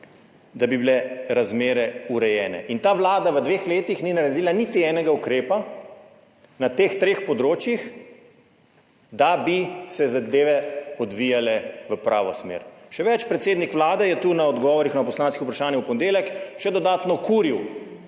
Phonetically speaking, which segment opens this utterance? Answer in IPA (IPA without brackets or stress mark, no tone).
d̪